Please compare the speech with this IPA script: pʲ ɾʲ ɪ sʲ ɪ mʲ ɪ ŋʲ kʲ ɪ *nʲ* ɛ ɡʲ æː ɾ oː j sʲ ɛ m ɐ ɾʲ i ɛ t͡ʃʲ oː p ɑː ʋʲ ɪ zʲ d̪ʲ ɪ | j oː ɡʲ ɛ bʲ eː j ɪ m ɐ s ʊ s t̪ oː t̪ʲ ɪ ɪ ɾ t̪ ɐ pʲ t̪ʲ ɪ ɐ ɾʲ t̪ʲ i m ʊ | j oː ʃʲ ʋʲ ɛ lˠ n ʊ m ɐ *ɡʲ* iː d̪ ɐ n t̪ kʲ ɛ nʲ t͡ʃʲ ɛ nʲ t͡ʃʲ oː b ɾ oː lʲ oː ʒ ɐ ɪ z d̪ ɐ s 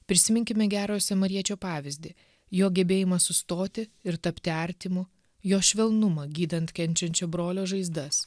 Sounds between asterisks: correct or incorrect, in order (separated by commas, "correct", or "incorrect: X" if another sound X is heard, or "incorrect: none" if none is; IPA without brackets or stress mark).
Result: incorrect: mʲ, correct